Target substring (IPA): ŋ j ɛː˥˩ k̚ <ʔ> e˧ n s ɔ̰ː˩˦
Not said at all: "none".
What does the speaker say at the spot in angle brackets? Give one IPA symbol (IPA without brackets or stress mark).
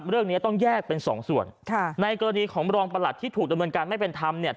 p